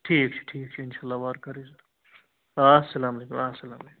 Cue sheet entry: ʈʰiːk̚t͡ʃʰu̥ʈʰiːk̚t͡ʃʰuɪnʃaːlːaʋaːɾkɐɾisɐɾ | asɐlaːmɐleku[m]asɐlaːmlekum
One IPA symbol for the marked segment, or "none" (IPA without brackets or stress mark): m